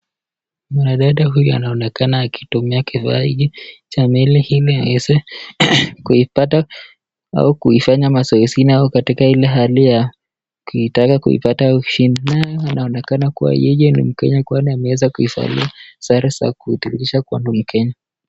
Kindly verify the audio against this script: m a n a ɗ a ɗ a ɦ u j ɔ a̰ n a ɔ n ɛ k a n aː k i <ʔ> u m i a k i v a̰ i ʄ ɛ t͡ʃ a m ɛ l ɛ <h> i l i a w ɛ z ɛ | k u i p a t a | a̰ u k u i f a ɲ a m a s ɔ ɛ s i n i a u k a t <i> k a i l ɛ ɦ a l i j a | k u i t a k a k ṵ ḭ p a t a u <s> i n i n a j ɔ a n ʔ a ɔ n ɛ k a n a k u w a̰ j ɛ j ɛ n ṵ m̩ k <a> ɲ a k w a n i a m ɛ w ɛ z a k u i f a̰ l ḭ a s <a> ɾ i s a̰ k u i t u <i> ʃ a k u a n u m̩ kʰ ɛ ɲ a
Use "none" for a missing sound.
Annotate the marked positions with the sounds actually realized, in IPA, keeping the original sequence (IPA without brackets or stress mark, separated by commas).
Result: t, h, i, ʃ, ɛ, a, i